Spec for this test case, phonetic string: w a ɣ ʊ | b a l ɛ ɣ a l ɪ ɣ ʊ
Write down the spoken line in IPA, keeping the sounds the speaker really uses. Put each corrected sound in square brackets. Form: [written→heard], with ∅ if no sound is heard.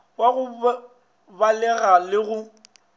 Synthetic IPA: w a ɣ ʊ | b a l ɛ ɣ a l ɪ ɣ ʊ